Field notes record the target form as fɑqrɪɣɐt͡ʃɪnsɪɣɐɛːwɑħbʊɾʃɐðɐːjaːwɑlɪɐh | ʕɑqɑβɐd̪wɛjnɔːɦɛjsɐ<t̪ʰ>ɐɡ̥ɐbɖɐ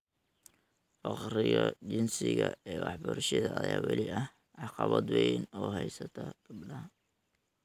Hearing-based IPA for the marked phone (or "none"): t̪ʰ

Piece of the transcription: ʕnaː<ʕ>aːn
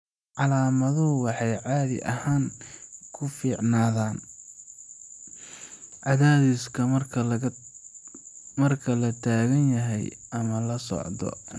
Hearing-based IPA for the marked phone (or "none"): ð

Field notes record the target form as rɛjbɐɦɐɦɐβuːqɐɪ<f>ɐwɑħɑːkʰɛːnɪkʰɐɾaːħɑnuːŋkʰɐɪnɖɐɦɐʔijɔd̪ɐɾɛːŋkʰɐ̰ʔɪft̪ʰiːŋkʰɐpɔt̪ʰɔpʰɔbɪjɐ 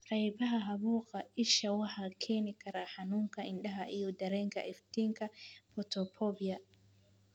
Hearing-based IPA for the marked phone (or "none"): ʃ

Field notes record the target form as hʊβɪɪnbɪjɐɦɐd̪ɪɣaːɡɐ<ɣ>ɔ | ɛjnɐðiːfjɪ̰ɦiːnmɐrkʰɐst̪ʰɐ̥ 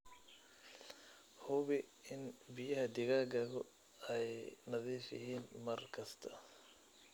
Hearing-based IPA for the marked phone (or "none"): ɣ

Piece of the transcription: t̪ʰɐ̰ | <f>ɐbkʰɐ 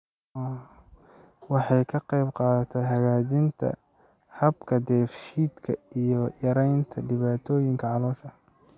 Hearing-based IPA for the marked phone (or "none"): h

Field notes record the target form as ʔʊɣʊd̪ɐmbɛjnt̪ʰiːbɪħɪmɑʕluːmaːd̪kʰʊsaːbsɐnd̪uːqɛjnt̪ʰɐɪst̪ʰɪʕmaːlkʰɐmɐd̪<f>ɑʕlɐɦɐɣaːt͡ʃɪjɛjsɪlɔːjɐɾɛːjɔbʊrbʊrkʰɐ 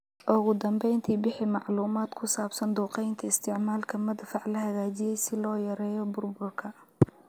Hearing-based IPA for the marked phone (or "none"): f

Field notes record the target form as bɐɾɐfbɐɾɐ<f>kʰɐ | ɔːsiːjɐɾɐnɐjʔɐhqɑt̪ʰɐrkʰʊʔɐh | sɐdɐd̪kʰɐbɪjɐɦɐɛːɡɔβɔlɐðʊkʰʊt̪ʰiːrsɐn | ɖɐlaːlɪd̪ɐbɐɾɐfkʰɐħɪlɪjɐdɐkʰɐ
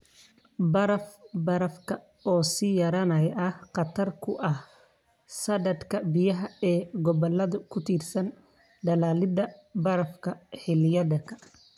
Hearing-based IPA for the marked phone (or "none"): f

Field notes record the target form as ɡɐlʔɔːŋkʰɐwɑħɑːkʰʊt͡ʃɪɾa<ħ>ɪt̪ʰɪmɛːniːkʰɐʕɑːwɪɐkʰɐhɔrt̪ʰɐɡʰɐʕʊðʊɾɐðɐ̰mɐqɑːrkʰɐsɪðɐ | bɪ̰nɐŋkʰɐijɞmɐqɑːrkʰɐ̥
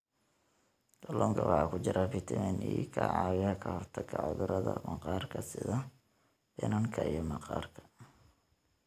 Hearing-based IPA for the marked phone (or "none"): f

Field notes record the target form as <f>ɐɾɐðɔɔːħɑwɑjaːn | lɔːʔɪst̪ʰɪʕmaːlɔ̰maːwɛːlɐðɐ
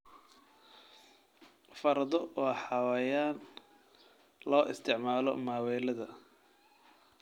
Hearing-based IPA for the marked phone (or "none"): f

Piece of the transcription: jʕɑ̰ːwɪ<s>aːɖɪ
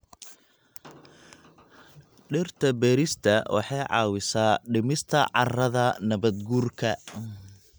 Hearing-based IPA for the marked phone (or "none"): s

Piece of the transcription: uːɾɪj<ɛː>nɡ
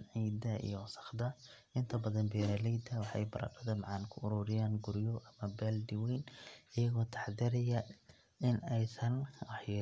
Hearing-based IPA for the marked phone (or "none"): aː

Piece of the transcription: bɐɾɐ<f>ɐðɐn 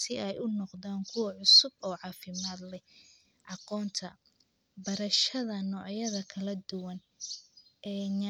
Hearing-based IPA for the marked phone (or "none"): ʃ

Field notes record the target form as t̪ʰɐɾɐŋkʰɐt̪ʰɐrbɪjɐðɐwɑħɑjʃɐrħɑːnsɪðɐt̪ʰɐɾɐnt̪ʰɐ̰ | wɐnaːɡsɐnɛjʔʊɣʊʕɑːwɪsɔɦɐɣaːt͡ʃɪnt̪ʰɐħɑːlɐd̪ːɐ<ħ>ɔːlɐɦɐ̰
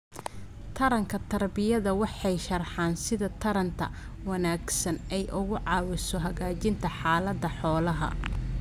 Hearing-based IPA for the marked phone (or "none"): ħ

